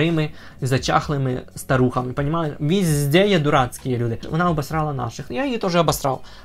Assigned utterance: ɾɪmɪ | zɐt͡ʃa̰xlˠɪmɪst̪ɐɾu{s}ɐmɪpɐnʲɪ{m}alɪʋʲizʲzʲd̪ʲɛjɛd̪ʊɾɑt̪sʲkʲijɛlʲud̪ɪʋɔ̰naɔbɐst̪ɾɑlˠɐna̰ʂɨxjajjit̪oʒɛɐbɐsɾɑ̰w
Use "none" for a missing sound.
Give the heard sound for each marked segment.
x, m

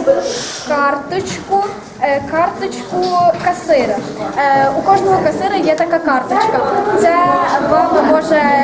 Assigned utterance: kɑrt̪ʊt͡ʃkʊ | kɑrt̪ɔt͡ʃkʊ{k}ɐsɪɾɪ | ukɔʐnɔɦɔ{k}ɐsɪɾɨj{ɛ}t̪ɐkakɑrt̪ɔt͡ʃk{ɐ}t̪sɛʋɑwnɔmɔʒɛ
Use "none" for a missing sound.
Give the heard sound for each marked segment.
k, k, ɛ, ɐ

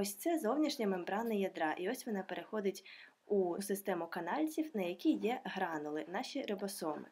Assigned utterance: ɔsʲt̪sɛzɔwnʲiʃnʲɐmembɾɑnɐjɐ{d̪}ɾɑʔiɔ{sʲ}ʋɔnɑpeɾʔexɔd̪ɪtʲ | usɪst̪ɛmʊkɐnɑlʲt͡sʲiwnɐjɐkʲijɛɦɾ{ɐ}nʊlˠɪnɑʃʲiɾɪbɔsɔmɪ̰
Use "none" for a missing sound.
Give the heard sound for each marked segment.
d̪, sʲ, ɑ

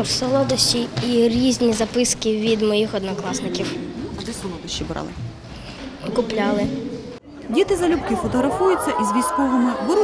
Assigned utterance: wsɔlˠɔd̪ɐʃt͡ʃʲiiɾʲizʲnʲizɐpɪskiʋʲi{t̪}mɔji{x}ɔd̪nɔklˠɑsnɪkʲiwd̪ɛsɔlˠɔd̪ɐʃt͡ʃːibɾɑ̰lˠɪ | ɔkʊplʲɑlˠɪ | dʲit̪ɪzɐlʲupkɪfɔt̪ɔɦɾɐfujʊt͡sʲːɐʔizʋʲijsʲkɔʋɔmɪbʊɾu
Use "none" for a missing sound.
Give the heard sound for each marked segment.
d̪, x

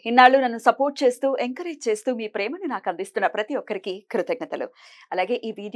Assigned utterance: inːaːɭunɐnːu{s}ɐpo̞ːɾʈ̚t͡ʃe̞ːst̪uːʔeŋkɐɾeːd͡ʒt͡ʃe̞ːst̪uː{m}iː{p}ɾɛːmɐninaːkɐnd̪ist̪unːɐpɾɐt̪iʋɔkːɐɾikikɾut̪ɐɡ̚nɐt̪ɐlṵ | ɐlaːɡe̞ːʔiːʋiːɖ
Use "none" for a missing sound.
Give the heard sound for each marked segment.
s, m, p

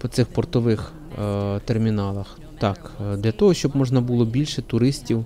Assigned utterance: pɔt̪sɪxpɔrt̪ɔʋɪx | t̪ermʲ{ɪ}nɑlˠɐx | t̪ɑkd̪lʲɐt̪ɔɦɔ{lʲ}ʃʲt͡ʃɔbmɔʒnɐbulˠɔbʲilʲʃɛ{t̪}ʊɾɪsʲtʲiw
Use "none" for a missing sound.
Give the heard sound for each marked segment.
i, none, t̪

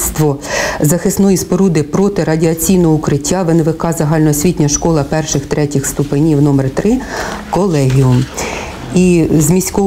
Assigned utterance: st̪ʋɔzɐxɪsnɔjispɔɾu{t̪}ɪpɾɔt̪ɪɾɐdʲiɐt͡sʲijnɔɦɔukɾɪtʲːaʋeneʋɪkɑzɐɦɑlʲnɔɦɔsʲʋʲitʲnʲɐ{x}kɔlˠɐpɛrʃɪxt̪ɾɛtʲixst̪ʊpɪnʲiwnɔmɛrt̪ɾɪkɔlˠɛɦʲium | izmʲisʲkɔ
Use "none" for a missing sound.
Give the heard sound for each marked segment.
d̪, ʃ

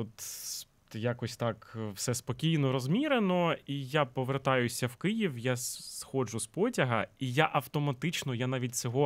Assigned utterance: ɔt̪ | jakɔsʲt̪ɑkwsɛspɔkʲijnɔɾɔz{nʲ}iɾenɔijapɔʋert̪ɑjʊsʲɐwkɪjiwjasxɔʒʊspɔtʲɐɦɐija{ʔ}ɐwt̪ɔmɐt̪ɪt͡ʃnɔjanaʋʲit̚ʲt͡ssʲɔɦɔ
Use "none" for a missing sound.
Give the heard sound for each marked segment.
mʲ, ʔ

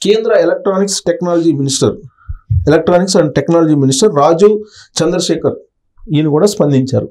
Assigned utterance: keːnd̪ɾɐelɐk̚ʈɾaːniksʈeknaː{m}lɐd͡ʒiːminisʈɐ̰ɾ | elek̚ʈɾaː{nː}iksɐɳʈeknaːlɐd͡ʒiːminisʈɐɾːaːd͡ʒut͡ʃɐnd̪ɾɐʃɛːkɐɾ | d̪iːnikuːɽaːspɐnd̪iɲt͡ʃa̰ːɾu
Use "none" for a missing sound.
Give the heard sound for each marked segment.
none, n

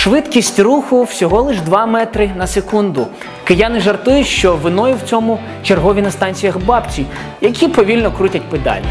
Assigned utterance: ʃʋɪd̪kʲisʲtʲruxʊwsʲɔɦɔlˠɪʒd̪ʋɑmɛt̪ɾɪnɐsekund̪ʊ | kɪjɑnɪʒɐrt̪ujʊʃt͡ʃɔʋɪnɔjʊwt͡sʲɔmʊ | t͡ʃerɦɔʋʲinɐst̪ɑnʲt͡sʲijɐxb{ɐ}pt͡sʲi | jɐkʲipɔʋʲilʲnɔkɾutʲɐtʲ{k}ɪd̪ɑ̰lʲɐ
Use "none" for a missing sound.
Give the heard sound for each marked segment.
ɑ, p

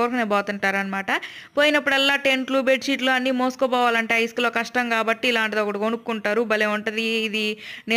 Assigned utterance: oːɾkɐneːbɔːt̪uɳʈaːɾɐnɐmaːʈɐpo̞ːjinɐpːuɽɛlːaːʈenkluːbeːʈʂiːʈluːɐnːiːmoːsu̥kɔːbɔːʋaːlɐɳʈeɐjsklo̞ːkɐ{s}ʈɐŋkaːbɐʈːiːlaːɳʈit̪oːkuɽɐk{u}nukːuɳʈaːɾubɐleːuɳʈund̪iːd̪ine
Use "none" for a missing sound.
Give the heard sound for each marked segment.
ʂ, o

